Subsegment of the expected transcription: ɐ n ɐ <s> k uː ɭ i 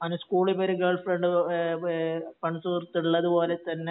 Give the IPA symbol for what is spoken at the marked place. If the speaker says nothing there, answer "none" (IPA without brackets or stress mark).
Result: s